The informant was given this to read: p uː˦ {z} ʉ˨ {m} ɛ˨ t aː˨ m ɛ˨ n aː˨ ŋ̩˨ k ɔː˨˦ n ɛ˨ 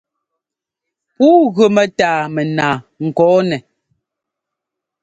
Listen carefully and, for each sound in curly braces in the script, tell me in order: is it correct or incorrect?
incorrect, correct

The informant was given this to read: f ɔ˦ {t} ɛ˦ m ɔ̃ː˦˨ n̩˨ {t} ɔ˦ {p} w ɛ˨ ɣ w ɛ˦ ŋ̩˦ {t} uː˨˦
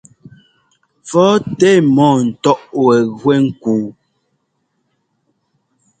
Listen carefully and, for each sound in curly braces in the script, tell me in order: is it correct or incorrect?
correct, correct, incorrect, incorrect

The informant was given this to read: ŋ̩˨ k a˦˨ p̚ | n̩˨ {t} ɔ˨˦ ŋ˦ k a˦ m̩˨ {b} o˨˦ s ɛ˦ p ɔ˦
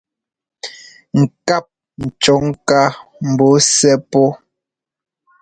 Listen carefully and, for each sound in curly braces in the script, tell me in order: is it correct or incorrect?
incorrect, correct

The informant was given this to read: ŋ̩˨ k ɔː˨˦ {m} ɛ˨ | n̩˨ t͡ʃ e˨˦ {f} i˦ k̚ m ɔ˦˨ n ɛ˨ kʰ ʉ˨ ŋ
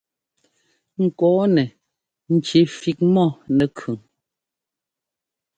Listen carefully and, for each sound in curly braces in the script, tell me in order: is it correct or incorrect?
incorrect, correct

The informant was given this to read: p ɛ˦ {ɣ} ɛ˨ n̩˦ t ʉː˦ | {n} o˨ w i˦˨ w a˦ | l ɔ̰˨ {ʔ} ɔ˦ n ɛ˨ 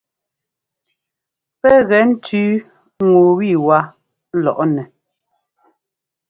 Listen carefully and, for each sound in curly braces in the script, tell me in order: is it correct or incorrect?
correct, incorrect, correct

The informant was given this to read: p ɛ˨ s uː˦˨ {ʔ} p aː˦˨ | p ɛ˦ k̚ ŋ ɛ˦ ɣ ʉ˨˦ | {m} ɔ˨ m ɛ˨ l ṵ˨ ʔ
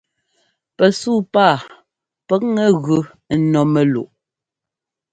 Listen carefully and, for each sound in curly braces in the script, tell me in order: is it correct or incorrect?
incorrect, incorrect

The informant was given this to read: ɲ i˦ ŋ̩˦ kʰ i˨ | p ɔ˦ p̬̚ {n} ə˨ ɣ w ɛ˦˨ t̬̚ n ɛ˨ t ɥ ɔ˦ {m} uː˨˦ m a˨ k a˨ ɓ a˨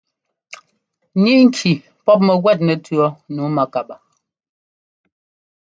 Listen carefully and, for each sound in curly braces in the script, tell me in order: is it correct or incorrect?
incorrect, incorrect

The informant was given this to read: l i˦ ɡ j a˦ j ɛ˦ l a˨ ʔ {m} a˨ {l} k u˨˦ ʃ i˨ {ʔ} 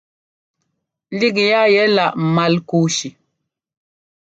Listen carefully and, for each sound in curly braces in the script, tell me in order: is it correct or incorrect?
correct, correct, incorrect

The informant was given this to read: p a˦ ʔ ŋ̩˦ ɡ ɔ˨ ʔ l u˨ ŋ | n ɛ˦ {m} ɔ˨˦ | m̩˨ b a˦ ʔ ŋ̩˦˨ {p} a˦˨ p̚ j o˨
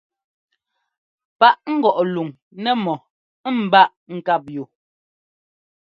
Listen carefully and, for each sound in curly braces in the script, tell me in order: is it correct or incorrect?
correct, incorrect

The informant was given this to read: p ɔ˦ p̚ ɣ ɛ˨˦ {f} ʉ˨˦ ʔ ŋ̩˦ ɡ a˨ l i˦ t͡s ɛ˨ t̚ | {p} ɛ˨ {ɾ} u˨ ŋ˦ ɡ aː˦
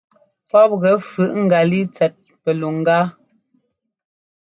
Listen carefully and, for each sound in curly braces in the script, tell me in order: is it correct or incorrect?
correct, correct, incorrect

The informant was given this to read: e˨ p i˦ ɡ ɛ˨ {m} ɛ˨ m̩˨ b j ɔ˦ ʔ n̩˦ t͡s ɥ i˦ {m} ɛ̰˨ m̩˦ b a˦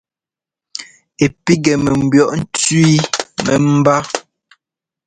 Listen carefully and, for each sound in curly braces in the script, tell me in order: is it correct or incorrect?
correct, correct

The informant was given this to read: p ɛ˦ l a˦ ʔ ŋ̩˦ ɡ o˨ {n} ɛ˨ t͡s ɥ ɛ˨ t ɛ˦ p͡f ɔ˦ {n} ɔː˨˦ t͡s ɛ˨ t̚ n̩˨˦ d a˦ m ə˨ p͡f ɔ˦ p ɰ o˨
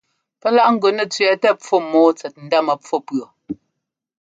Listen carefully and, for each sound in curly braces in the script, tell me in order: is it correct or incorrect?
correct, incorrect

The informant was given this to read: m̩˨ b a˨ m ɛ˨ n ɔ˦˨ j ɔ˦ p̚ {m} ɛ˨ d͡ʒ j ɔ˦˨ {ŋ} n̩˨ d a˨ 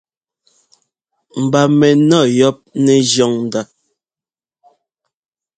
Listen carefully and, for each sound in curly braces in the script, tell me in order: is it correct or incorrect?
incorrect, correct

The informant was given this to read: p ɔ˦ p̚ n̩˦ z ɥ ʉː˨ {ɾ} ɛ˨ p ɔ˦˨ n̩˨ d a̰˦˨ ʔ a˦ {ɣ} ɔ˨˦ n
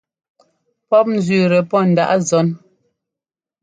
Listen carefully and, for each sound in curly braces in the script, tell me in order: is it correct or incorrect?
correct, incorrect

